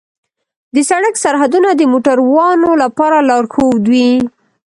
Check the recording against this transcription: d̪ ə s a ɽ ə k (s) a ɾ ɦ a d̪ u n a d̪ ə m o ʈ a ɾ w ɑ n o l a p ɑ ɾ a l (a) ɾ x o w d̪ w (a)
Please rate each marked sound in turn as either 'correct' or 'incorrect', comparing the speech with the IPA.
correct, incorrect: ɑ, incorrect: i

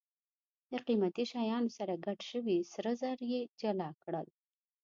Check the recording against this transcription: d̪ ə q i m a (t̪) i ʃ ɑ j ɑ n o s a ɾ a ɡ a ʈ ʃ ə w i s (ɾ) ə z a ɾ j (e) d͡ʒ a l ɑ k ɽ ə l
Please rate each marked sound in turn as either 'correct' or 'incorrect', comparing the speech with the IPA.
correct, correct, correct

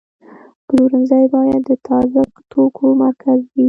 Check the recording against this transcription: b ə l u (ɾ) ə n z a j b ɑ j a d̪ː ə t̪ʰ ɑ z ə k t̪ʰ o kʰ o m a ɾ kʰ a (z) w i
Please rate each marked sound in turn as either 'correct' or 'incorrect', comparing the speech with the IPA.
correct, correct

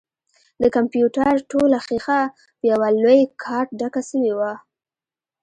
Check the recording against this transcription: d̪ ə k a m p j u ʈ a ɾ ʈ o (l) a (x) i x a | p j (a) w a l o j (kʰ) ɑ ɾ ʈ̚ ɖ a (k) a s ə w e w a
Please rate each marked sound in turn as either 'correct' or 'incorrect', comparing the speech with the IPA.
correct, correct, correct, correct, correct

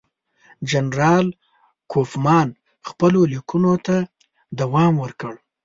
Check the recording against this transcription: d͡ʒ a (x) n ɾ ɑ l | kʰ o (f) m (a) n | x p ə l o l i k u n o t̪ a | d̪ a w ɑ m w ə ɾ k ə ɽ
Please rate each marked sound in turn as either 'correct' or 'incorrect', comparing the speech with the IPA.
incorrect: none, correct, incorrect: ɑ

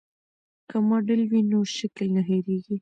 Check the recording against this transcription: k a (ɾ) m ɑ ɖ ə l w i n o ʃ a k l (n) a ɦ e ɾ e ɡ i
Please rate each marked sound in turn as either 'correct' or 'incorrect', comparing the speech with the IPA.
incorrect: none, correct

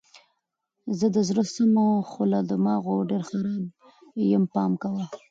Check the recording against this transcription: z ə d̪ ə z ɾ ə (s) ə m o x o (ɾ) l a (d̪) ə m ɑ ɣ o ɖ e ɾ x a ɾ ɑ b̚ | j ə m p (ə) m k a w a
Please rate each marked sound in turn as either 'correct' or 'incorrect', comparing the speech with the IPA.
correct, incorrect: none, correct, incorrect: ɑ

